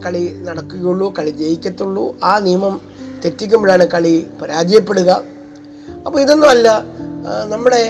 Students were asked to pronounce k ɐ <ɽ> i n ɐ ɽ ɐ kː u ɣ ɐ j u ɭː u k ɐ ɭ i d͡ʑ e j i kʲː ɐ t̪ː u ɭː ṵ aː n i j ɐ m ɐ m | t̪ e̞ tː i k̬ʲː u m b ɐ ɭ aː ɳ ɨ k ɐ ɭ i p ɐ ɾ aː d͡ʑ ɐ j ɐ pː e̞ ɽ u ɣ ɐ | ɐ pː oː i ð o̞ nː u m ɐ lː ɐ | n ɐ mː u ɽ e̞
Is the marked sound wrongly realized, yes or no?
yes